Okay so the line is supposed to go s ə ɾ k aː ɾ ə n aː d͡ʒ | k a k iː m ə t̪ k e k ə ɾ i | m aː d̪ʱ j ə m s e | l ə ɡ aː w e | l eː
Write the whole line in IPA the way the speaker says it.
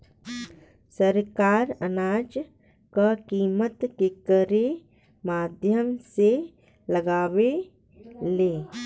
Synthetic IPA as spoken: s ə ɾ k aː ɾ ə n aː d͡ʒ | k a k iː m ə t̪ k e k ə ɾ e | m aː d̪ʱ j ə m s e | l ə ɡ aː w e | l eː